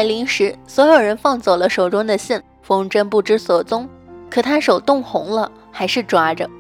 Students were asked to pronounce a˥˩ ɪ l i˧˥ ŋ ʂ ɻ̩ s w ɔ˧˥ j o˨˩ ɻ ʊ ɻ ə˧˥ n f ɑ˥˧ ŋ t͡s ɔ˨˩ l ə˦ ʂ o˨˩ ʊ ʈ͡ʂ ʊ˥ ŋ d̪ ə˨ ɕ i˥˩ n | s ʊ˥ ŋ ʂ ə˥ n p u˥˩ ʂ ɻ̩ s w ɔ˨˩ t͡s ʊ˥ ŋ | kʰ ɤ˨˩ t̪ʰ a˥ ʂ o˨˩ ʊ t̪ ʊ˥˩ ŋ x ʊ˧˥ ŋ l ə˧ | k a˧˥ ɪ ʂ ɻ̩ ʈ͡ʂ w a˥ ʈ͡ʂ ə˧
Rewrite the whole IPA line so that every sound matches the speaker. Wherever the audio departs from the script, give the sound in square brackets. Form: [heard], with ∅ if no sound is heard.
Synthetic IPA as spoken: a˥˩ ɪ l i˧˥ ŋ ʂ ɻ̩ s w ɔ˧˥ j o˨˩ [∅] ʊ ɻ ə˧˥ n f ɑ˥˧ ŋ t͡s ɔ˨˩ l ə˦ ʂ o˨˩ ʊ ʈ͡ʂ ʊ˥ ŋ d̪ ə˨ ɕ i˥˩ n | [f] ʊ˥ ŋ [ʈ͡ʂ] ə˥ n p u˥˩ [ʈ͡ʂ] ɻ̩ s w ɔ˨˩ t͡s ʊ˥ ŋ | kʰ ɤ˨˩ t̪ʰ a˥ ʂ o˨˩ ʊ t̪ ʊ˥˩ ŋ x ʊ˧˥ ŋ l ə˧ | [x] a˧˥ ɪ ʂ ɻ̩ ʈ͡ʂ w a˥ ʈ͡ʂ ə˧